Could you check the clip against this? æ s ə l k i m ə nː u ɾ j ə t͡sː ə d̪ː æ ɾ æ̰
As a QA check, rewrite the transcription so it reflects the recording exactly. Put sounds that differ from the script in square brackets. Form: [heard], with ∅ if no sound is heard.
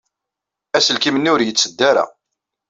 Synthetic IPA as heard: æ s ə l k i m ə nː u ɾ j ə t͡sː ə d̪ː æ ɾ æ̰